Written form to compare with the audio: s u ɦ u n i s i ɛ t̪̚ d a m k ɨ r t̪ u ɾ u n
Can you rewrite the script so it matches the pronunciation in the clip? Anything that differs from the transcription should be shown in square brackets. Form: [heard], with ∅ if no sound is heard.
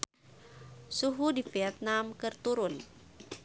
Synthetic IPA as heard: s u ɦ u [d] i [f] i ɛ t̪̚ [n] a m k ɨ r t̪ u ɾ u n